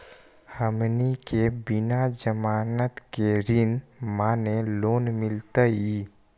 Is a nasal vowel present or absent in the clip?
absent